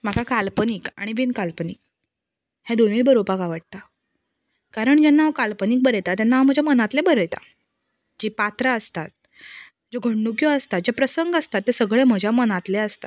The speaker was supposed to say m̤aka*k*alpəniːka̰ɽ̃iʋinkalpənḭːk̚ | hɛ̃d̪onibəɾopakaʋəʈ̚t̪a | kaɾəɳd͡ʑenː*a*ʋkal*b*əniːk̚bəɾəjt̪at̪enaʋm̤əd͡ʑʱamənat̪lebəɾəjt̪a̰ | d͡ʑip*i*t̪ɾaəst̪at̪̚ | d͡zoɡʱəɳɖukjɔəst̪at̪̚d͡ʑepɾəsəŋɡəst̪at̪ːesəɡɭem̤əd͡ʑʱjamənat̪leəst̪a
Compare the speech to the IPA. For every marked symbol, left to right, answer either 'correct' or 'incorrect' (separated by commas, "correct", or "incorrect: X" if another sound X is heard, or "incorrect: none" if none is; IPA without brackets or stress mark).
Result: correct, correct, incorrect: p, incorrect: a